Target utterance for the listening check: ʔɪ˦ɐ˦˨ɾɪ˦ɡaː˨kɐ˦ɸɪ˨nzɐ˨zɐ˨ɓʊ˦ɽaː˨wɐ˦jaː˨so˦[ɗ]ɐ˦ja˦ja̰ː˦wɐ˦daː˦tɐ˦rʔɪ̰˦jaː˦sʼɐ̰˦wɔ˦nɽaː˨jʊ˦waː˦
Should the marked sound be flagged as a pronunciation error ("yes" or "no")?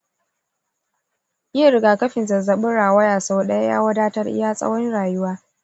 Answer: no